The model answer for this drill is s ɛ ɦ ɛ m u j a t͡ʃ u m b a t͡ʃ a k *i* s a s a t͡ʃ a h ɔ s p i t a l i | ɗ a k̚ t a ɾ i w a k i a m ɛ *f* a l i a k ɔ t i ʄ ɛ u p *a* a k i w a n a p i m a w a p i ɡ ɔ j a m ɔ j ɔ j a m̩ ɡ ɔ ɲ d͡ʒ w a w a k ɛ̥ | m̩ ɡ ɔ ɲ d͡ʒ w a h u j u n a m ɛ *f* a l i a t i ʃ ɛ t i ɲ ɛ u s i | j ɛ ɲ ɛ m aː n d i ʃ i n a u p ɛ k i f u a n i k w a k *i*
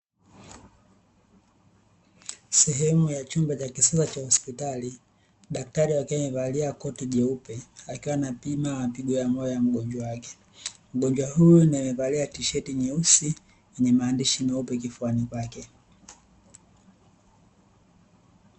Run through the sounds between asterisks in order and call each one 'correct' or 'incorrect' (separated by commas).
correct, incorrect, incorrect, incorrect, incorrect